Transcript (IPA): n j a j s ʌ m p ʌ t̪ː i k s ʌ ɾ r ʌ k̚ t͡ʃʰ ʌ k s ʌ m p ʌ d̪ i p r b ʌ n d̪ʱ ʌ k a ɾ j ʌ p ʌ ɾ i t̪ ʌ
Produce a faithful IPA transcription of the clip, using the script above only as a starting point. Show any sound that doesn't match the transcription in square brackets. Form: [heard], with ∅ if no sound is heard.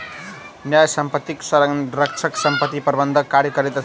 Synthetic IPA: n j a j s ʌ m p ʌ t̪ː i k s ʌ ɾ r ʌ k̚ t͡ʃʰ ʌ k s ʌ m p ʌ [t̪] i p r b ʌ n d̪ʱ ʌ k a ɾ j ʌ [k] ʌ ɾ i t̪ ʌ